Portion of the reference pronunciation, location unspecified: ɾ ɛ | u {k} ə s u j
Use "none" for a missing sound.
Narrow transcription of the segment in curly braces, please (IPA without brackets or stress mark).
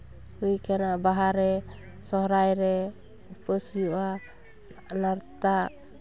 p